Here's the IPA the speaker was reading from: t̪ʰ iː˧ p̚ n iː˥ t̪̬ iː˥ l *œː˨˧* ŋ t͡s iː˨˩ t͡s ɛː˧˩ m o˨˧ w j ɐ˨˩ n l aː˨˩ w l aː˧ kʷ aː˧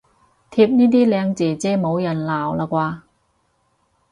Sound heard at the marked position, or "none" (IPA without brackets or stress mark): ɛː˨˧